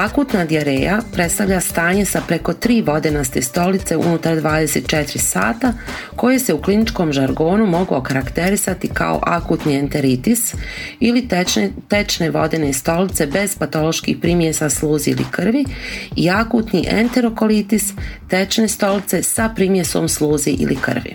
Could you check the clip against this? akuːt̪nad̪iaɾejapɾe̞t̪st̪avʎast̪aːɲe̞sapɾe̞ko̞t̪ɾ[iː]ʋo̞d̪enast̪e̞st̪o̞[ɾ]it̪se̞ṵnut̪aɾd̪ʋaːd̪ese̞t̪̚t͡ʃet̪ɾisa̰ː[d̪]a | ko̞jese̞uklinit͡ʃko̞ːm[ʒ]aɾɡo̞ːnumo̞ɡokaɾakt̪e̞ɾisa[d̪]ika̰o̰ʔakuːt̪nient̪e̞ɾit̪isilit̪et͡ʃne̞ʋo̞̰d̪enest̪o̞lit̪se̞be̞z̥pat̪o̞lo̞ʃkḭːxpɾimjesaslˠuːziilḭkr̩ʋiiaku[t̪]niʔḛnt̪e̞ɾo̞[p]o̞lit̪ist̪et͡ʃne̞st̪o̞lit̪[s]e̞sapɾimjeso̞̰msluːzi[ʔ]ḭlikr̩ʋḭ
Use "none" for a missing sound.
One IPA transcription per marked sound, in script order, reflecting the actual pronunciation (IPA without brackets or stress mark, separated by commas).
iː, l, t̪, ʒ, t̪, t̪, k, s, ʔ